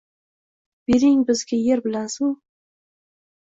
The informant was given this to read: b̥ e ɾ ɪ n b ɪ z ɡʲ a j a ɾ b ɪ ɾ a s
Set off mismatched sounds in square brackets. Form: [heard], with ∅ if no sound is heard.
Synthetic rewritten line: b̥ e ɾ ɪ [ŋ] b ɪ z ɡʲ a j [e] ɾ b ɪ [l] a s